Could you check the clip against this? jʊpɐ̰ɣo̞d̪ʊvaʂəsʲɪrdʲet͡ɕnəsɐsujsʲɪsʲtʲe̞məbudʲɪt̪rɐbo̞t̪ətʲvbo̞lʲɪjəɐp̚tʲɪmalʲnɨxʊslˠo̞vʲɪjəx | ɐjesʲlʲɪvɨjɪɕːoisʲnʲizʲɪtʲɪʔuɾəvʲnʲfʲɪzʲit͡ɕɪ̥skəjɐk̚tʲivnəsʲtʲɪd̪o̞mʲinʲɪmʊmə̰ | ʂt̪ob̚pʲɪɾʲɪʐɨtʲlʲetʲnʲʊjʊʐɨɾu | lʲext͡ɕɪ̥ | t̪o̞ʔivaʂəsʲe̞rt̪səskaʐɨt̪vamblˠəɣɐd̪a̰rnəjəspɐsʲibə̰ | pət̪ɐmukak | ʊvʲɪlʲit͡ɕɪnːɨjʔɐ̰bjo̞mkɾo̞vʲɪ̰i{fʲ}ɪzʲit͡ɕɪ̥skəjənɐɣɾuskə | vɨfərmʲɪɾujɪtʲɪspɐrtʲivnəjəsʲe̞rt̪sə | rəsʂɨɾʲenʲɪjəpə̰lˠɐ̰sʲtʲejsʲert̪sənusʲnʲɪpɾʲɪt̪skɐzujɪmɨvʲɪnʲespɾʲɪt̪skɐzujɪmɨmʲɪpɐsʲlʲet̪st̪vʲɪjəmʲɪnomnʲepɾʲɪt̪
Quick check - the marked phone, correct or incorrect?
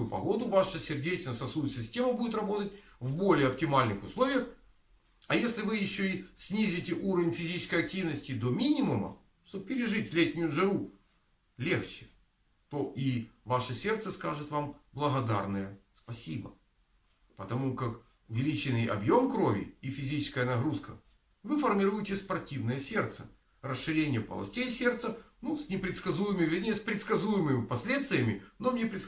correct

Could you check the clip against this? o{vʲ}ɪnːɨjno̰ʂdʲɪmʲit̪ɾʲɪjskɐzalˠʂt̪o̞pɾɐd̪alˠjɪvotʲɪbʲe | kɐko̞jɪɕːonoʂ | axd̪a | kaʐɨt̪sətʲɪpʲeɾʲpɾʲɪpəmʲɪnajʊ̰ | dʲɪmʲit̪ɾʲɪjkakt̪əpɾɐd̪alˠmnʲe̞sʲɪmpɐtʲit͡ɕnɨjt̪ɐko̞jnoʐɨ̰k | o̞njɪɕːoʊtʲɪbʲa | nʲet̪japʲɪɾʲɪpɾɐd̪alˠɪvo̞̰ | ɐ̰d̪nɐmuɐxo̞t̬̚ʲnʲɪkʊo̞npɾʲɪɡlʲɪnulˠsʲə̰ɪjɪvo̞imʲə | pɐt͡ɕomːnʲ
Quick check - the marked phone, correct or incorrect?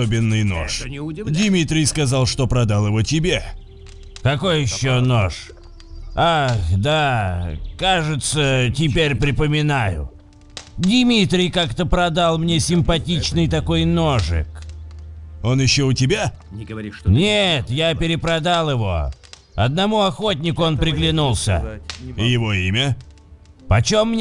incorrect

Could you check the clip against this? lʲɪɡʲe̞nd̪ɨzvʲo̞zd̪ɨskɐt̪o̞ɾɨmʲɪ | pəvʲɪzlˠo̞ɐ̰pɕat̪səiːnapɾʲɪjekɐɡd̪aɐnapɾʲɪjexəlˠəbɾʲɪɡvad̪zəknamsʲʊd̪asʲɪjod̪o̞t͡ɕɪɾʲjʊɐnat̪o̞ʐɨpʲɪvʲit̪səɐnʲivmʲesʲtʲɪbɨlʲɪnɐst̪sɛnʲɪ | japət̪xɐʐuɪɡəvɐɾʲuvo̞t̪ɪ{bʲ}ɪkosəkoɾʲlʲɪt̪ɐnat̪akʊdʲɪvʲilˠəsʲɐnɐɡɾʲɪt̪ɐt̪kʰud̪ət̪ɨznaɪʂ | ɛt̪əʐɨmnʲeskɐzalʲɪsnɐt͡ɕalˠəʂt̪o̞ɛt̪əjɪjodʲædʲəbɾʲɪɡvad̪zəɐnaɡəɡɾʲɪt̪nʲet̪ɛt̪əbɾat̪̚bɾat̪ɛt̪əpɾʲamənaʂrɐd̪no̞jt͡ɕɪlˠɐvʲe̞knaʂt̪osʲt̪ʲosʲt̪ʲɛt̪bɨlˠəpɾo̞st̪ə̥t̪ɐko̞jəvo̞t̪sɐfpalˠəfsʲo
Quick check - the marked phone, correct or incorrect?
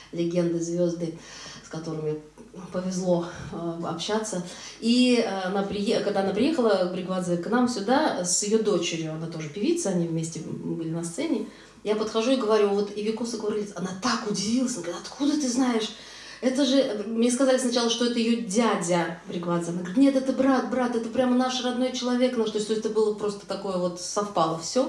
incorrect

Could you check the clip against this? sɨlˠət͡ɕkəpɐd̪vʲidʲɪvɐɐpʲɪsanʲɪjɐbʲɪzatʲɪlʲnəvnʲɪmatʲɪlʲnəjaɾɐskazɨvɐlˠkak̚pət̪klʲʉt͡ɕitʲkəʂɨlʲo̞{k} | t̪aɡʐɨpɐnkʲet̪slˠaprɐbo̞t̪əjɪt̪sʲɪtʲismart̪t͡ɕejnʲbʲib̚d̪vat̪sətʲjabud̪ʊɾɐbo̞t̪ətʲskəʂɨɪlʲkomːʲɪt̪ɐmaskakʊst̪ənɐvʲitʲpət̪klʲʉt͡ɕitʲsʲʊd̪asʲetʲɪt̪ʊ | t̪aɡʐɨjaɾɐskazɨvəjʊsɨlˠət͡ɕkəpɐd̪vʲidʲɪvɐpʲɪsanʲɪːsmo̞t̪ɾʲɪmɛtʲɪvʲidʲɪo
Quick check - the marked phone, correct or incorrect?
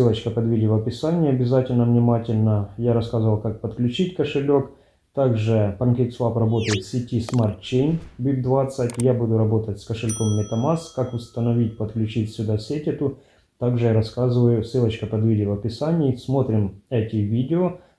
correct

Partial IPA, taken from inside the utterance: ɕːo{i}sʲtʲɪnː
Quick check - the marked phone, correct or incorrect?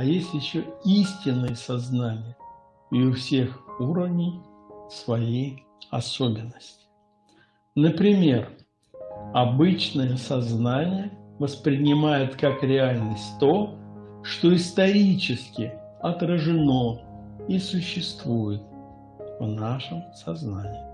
correct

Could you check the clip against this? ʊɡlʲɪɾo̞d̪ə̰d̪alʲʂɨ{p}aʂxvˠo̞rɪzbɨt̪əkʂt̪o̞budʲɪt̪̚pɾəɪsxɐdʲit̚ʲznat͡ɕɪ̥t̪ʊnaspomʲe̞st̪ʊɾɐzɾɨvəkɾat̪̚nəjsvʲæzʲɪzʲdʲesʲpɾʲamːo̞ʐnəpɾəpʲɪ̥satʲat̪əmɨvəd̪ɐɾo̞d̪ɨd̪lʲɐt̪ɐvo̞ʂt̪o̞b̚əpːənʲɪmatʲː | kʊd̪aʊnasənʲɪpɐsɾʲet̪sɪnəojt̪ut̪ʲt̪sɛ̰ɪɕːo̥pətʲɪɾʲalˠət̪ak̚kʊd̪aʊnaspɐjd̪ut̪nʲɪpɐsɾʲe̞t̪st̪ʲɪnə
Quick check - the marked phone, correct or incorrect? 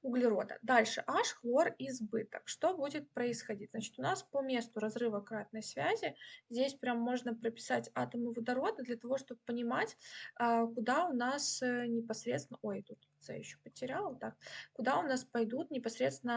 incorrect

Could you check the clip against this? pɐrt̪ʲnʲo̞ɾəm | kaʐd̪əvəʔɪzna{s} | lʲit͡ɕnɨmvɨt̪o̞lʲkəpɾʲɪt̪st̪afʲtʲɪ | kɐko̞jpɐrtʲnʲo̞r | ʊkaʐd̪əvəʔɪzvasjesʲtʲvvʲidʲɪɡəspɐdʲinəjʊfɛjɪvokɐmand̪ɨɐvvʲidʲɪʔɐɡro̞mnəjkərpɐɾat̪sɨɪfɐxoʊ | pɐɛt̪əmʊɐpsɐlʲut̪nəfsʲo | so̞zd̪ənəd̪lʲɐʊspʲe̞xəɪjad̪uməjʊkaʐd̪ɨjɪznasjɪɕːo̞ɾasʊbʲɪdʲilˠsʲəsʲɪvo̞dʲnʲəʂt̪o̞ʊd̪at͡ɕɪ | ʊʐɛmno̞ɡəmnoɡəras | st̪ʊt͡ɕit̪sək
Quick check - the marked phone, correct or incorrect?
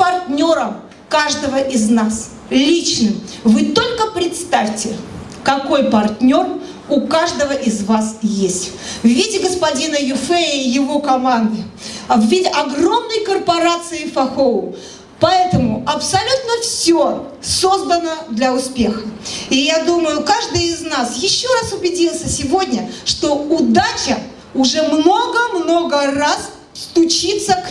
correct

